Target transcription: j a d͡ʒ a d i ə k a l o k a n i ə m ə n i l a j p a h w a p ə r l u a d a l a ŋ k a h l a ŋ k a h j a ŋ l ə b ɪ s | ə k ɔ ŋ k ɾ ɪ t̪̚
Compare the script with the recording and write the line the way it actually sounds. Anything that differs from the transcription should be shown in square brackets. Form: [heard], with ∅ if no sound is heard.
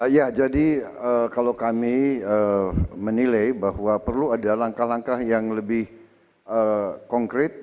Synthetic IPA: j a d͡ʒ a d i ə k a l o k a [m] i ə m ə n i l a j [b] a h w a p ə r l u a d a l a ŋ k a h l a ŋ k a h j a ŋ l ə b ɪ [h] | ə k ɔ ŋ k ɾ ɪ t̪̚

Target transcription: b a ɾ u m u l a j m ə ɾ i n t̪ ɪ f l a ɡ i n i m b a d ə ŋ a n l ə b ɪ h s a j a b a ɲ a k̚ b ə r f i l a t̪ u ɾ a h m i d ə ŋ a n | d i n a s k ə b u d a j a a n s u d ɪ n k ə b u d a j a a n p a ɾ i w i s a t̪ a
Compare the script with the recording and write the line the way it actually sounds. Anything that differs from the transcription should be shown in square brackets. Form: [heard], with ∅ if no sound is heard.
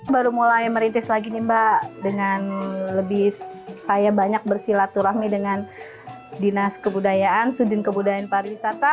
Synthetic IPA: b a ɾ u m u l a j m ə ɾ i n t̪ ɪ [s] l a ɡ i n i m b a d ə ŋ a n l ə b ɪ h s a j a b a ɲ a k̚ b ə r [s] i l a t̪ u ɾ a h m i d ə ŋ a n | d i n a s k ə b u d a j a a n s u d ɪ n k ə b u d a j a a n p a ɾ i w i s a t̪ a

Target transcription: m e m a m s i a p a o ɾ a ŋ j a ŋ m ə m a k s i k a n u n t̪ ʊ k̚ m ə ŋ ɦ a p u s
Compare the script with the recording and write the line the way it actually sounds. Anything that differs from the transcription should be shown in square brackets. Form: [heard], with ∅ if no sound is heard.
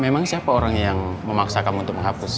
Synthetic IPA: m e m a [ŋ] s i a p a o ɾ a ŋ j a ŋ m ə m a k s [a] k a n u n t̪ ʊ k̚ m ə ŋ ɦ a p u s

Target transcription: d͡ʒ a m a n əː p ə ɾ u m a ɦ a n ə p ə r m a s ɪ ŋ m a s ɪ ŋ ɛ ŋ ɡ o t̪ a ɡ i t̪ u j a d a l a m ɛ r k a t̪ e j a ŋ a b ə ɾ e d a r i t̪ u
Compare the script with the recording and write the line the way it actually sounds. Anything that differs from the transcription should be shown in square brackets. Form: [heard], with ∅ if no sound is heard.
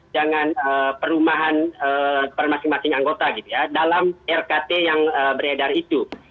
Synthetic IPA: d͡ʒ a [ŋ] a n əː p ə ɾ u m a ɦ a n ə p ə r m a s ɪ ŋ m a s ɪ ŋ [a] ŋ ɡ o t̪ a ɡ i t̪ u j a d a l a m ɛ r k a t̪ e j a ŋ [ə] b ə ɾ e d a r i t̪ u

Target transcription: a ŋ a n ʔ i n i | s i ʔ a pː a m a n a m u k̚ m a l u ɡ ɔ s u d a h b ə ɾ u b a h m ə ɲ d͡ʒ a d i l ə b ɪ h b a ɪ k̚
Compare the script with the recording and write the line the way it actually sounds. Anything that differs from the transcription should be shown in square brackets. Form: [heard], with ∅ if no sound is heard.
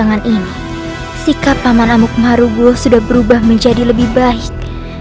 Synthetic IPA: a ŋ a n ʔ i n i | s i [k] a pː a m a n a m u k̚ m a [ɾ] u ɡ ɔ s u d a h b ə ɾ u b a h m ə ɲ d͡ʒ a d i l ə b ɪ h b a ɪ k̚

